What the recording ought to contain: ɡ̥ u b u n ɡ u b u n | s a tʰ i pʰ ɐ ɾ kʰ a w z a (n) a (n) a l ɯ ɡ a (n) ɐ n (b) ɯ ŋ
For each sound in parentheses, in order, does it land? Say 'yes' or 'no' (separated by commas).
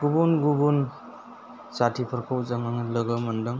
no, no, no, no